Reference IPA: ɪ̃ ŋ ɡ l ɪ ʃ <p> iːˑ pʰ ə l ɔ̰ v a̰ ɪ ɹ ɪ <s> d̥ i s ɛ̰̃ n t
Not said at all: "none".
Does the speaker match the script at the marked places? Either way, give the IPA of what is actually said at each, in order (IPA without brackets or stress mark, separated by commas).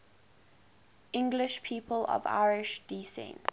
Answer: pʰ, ʃ